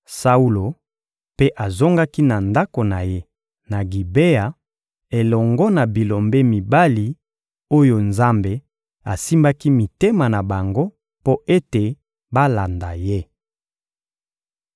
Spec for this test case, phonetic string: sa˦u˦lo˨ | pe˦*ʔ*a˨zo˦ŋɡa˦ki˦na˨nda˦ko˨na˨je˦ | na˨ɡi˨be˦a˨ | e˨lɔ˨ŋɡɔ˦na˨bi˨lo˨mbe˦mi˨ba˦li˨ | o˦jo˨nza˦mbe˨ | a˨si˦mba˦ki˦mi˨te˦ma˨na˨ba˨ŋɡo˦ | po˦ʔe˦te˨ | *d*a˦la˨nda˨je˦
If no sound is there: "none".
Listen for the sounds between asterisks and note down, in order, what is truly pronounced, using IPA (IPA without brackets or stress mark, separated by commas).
ʔ, b